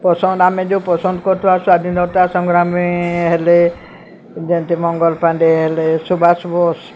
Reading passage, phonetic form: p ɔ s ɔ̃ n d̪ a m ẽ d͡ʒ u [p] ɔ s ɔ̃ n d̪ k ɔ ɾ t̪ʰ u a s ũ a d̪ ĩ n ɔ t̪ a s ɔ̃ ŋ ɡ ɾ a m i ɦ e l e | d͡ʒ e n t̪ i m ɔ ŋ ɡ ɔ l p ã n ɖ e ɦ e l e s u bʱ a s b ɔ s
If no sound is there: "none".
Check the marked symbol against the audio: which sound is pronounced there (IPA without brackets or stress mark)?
p